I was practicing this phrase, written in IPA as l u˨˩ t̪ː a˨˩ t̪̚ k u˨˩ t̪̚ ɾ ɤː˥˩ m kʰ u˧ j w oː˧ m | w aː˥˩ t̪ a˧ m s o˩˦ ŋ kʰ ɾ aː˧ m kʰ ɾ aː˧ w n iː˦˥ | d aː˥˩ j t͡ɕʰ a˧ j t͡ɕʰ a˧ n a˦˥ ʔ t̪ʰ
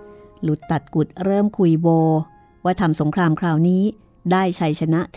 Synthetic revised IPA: l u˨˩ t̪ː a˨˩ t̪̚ k u˨˩ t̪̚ ɾ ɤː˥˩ m kʰ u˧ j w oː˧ | w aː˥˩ t̪ʰ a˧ m s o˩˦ ŋ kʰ ɾ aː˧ m kʰ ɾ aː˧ w n iː˦˥ | d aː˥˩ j t͡ɕʰ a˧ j t͡ɕʰ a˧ n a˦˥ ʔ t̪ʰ